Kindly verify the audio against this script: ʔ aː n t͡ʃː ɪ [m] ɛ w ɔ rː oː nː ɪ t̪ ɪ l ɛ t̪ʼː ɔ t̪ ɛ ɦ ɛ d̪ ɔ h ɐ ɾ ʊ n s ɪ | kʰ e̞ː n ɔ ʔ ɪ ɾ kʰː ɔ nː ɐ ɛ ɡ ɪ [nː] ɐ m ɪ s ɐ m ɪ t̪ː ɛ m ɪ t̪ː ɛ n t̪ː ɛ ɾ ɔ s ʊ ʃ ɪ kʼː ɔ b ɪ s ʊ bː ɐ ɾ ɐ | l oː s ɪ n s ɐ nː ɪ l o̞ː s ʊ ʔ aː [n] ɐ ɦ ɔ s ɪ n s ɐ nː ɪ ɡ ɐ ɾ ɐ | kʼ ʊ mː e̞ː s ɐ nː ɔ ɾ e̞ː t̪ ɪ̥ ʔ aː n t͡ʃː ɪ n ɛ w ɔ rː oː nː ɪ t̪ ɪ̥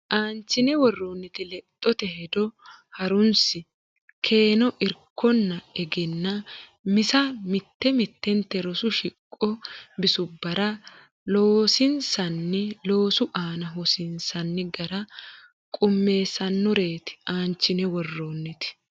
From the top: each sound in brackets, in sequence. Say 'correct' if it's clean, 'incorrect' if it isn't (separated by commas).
incorrect, correct, correct